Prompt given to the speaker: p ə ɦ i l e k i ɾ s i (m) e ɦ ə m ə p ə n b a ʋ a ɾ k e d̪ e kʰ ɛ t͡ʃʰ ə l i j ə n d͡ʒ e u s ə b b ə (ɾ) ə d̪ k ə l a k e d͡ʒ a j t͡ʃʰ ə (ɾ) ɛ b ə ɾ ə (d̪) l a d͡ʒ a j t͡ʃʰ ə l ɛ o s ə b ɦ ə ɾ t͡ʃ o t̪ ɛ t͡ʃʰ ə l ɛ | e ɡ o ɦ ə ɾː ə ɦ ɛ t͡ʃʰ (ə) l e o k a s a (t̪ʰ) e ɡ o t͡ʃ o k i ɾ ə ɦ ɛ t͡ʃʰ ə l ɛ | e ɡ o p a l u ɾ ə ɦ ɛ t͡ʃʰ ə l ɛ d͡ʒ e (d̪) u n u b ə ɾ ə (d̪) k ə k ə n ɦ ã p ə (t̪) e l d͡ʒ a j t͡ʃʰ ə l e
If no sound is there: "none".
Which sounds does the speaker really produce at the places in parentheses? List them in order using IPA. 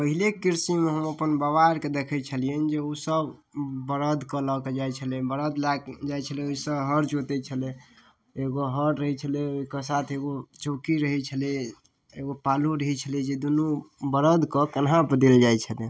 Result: m, ɾ, l, d̪, ə, t̪ʰ, d̪, d̪, d̪

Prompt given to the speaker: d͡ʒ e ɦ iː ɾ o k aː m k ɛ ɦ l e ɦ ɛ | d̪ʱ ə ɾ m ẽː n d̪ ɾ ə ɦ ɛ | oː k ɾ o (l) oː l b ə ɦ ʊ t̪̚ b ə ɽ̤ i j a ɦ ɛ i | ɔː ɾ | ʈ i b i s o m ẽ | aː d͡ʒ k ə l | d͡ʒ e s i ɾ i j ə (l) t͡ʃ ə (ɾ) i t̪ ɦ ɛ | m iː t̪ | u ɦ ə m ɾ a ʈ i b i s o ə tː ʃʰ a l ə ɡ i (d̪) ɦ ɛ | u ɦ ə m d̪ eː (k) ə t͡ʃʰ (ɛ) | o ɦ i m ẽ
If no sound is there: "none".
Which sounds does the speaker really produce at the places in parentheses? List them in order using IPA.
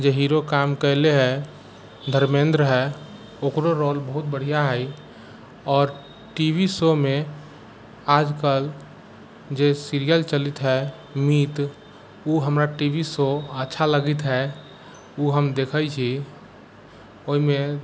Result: ɾ, l, l, t̪, kʰ, i

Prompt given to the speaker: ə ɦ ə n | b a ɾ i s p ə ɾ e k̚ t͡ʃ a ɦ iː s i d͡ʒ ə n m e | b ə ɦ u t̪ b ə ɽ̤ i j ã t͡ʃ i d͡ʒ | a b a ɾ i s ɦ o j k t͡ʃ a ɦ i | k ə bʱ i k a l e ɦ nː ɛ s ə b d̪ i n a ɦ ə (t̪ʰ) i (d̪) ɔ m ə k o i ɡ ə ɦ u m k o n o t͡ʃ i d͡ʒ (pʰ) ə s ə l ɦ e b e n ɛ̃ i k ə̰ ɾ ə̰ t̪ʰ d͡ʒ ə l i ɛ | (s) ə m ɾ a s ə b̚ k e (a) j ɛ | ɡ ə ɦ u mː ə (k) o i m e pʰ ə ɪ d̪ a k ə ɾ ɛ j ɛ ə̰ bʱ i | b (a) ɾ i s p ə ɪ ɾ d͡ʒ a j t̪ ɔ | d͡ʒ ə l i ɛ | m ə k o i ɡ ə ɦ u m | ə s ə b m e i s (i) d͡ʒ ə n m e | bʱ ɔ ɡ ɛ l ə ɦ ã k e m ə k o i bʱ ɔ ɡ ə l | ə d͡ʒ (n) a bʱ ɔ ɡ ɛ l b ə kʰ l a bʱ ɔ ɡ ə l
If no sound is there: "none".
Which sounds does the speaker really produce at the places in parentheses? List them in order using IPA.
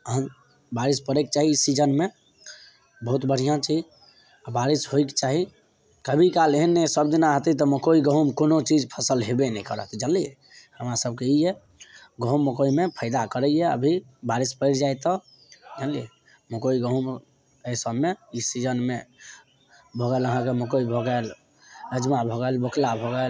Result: t̪, t̪, pʰ, h, i, k, a, i, m

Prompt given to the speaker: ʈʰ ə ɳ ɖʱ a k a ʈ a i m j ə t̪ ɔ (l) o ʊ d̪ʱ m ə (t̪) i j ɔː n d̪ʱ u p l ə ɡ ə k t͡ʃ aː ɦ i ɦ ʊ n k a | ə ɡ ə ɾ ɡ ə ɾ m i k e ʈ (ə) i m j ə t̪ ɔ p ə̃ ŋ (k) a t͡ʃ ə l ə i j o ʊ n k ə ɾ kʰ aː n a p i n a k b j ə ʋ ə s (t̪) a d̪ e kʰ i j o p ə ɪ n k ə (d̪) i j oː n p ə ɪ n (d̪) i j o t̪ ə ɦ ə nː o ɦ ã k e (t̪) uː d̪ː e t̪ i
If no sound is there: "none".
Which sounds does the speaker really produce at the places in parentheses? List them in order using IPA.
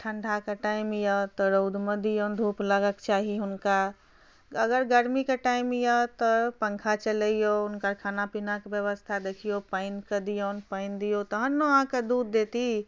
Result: ɾ, d̪, a, kʰ, t̪ʰ, d̪, d̪, d̪

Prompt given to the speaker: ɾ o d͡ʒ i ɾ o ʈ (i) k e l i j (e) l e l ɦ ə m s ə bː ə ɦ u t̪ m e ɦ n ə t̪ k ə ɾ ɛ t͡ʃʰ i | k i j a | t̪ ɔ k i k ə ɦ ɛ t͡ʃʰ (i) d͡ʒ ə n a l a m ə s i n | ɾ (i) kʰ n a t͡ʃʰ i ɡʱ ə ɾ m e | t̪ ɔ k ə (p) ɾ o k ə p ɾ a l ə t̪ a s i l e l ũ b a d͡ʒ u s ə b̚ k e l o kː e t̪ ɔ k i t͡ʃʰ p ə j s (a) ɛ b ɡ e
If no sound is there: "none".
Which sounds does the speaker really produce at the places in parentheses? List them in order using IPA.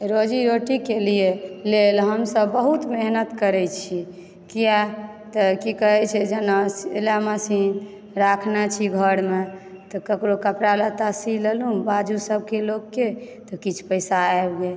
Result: i, e, ɛ, a, k, a

